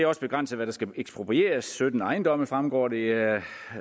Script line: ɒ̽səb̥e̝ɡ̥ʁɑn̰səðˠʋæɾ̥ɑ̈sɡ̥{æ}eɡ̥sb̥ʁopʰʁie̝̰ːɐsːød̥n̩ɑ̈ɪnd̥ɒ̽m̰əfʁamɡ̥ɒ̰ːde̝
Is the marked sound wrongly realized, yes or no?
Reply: no